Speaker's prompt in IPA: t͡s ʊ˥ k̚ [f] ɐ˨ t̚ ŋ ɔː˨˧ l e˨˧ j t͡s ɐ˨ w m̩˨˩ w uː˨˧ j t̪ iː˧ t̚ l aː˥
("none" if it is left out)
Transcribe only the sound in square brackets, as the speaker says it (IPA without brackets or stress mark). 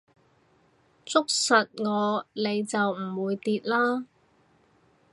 s